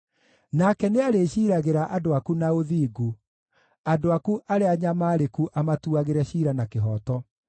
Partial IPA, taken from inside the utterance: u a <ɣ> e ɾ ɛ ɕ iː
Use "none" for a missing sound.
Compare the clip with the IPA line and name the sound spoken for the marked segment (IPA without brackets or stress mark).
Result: ɣ